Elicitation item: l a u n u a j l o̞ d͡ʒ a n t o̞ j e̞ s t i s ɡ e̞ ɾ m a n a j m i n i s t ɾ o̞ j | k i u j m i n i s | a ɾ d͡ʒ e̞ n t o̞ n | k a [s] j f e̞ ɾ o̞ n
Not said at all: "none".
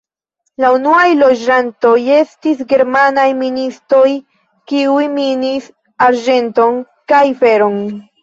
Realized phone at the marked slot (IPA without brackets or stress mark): none